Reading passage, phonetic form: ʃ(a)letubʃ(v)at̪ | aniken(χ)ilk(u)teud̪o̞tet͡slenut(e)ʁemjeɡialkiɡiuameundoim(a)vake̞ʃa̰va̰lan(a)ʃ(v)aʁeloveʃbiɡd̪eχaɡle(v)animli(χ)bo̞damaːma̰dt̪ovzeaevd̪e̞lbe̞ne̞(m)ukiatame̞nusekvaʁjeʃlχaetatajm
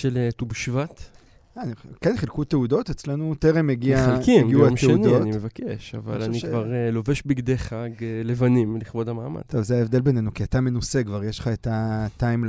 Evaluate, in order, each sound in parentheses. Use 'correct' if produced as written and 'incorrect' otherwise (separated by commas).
incorrect, correct, correct, correct, correct, incorrect, incorrect, correct, correct, correct, incorrect